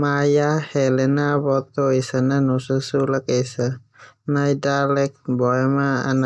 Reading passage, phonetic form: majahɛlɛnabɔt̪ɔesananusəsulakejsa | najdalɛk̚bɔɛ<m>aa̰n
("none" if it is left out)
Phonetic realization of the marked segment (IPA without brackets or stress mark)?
m